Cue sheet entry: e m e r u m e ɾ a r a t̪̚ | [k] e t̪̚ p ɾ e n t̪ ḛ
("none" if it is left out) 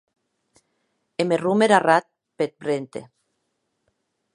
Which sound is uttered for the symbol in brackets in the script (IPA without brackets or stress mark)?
p